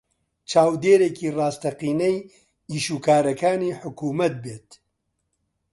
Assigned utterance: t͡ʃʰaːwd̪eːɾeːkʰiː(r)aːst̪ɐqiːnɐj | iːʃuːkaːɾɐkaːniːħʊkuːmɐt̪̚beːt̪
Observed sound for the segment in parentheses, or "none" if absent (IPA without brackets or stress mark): r